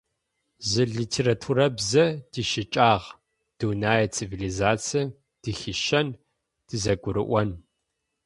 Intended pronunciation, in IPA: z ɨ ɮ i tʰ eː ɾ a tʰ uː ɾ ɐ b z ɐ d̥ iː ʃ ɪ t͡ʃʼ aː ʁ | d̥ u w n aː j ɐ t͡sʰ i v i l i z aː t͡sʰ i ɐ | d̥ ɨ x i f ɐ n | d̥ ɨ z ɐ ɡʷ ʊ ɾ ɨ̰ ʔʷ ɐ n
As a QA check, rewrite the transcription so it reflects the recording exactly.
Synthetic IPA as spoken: z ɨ ɮ i tʰ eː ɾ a tʰ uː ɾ ɐ b z ɐ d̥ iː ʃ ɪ t͡ʃʼ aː ʁ | d̥ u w n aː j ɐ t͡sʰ i v i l i z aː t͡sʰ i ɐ | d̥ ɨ x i ʃ ɐ n | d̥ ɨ z ɐ ɡʷ ʊ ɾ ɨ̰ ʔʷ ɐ n